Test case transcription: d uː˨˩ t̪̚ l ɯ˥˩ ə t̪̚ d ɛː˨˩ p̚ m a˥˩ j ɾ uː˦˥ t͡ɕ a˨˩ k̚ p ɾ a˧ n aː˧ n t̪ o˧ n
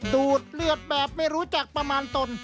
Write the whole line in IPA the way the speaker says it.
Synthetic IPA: d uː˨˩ t̪̚ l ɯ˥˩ ə t̪̚ b ɛː˨˩ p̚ m a˥˩ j ɾ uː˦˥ t͡ɕ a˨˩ k̚ p ɾ a˧ m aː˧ n t̪ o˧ n